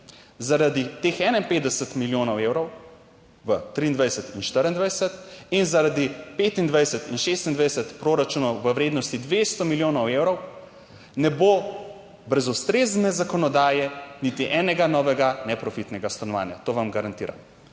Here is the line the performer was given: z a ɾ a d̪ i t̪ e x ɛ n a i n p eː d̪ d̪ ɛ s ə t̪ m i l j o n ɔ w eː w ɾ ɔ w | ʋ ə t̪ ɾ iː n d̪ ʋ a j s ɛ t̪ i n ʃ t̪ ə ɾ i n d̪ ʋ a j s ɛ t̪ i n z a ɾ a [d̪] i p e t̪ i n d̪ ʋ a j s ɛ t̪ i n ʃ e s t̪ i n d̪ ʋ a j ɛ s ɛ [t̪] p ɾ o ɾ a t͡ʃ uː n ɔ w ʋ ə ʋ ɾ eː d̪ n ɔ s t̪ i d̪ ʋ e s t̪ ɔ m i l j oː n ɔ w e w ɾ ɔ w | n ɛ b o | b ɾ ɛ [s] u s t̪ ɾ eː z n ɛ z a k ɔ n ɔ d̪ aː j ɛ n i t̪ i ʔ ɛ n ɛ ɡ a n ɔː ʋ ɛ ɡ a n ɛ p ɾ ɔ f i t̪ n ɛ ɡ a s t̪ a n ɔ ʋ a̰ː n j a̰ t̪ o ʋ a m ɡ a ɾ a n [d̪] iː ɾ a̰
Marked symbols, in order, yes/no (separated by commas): yes, yes, no, no